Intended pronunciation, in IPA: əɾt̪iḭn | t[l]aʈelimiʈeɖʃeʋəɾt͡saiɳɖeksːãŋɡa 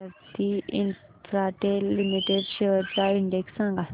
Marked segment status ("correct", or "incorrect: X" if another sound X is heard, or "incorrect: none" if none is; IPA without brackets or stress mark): incorrect: ɾ